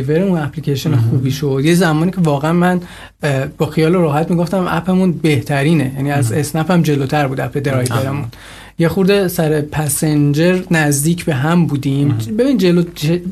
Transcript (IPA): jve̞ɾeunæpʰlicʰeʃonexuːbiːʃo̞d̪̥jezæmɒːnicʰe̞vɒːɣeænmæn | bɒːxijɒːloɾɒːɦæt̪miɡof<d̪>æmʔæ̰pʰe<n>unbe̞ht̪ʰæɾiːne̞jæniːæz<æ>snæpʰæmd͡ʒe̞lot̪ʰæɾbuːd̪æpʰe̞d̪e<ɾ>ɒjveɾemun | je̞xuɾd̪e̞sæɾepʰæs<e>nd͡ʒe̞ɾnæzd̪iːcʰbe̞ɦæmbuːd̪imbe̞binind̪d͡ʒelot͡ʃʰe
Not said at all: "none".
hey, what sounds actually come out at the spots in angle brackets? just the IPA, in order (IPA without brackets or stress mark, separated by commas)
t̪, m, e, ɾ, e